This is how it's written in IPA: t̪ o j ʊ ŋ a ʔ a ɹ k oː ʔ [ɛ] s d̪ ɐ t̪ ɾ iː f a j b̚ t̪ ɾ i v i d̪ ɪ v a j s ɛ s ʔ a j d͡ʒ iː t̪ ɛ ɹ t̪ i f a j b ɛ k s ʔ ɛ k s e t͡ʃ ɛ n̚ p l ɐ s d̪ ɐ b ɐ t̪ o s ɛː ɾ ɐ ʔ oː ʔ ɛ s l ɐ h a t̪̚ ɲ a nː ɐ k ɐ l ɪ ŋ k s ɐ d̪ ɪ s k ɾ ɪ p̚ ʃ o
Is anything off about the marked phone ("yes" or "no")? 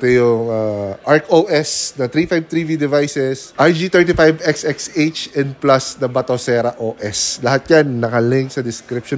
no